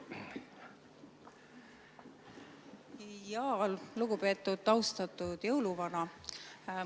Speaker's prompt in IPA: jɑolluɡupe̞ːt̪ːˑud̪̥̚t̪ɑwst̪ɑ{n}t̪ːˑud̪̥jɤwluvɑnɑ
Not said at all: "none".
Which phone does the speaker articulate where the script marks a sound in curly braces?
none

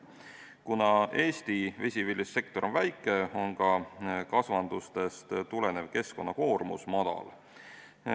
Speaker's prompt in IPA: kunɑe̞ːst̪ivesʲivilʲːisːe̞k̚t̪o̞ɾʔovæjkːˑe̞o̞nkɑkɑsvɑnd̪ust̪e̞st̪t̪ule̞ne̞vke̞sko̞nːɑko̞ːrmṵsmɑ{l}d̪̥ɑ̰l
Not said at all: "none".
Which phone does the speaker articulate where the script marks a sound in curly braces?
none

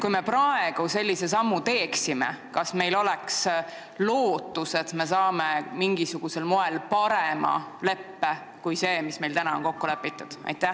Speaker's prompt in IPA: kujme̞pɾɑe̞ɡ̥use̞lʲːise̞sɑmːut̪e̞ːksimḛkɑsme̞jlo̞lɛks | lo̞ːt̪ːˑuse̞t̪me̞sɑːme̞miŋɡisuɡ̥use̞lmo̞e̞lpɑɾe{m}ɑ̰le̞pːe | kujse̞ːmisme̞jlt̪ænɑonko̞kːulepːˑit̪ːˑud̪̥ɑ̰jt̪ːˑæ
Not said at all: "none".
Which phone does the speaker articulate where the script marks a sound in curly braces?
m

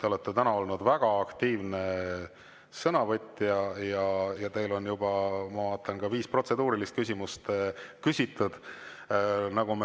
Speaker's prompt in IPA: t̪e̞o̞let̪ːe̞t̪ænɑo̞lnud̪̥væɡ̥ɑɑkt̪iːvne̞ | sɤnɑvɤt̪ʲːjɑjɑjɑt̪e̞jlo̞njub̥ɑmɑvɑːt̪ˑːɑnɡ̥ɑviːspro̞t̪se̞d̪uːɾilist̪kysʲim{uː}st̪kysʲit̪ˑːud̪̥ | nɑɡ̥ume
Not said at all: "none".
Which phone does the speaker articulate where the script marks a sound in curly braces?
u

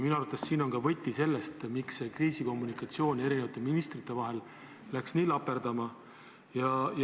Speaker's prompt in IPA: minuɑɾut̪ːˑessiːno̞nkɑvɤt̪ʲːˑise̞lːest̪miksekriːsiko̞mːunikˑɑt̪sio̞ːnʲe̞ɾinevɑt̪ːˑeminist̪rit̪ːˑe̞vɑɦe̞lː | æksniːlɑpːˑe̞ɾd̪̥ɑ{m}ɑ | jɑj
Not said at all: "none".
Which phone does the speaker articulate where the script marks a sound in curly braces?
m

